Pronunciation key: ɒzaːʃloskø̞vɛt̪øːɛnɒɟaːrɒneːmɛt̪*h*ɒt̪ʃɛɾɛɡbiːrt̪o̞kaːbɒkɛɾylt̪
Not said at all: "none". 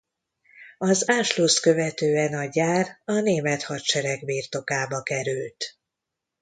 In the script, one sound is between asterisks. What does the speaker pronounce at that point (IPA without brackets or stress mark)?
h